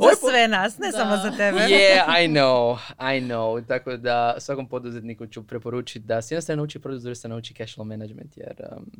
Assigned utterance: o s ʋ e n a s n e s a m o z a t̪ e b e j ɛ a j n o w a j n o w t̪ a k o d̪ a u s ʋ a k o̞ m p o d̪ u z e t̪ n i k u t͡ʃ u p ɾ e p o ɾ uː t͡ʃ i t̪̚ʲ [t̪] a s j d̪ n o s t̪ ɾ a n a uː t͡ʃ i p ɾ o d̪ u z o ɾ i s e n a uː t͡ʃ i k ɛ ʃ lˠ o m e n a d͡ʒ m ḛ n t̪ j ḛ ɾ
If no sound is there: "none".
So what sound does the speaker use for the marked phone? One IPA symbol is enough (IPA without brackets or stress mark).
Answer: d̪